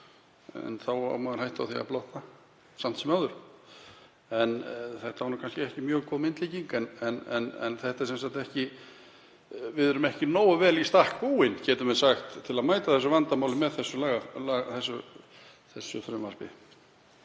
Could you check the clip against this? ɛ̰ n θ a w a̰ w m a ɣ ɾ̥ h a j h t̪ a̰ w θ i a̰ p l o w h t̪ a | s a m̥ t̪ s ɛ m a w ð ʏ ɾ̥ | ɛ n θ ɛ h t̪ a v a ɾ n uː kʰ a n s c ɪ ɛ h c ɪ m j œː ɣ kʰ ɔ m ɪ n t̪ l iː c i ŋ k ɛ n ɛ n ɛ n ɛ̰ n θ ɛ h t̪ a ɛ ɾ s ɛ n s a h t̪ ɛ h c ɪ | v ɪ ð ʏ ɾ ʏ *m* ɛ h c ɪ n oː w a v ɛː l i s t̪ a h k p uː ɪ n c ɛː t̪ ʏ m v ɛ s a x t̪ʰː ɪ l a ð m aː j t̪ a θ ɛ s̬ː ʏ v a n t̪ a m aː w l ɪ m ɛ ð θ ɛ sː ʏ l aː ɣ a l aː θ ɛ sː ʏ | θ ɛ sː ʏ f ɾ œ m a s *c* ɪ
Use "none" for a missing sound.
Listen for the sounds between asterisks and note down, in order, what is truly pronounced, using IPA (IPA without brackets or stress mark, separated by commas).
m, p